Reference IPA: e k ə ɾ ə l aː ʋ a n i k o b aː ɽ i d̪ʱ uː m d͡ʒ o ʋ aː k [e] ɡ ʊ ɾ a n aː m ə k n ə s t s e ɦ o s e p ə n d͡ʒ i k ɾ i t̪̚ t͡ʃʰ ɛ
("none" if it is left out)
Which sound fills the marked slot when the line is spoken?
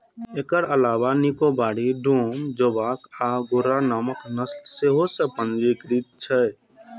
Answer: a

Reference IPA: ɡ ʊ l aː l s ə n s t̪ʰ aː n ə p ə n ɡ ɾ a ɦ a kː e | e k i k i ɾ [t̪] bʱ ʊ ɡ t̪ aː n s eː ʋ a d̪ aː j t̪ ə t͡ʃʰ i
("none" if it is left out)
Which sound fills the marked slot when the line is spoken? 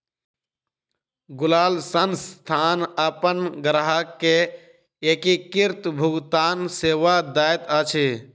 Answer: t̪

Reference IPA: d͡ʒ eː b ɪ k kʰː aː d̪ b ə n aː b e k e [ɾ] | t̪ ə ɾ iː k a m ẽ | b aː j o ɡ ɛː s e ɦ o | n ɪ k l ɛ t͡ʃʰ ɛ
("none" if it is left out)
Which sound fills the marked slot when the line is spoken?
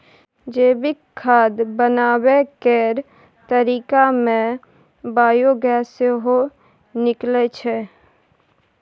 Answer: ɾ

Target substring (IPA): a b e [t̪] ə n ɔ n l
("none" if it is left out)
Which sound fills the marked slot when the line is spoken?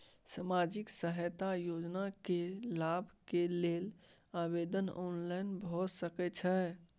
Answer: d̪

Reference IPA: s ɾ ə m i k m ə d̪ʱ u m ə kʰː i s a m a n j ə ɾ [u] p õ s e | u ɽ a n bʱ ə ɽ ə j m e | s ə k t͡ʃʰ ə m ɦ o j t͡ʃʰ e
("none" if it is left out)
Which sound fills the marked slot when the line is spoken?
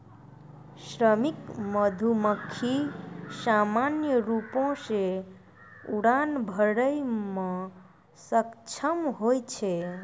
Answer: u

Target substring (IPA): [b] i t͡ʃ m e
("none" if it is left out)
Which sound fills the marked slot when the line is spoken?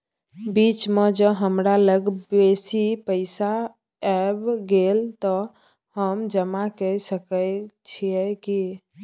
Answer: b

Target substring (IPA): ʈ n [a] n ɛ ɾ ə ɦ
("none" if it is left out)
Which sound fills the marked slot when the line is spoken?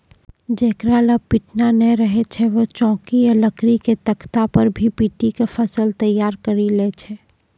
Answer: a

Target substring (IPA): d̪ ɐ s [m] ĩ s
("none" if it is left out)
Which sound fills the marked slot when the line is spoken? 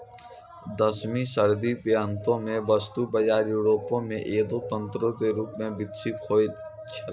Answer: m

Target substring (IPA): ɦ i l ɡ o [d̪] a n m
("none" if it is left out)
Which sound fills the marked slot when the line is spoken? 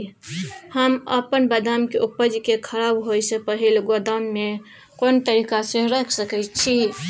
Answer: d̪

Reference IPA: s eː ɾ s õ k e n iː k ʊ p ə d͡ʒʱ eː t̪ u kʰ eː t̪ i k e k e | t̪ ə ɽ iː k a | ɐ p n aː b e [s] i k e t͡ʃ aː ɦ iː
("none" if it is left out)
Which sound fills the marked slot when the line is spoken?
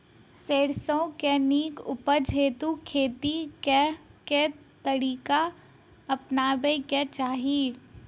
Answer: none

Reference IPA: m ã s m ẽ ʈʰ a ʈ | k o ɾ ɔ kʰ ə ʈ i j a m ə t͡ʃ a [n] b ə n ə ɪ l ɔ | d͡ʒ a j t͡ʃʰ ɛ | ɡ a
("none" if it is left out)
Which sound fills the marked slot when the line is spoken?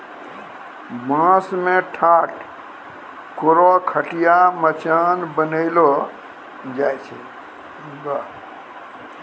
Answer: n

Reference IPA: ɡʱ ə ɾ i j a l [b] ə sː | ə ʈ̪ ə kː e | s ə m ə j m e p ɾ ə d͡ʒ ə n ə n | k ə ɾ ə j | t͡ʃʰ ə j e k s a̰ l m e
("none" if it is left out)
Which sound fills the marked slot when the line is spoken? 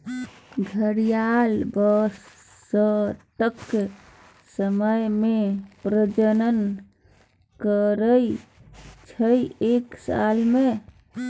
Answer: b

